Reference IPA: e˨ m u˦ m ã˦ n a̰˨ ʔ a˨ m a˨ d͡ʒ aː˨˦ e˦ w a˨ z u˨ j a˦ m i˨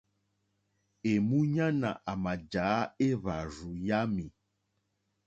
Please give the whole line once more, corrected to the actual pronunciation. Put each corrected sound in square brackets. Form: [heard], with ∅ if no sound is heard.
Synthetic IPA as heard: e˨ m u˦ [ɲ] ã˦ n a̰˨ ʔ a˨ m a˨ d͡ʒ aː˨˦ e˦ [β] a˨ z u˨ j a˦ m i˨